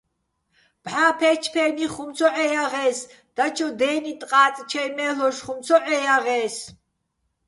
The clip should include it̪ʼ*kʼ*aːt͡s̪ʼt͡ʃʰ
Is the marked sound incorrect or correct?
incorrect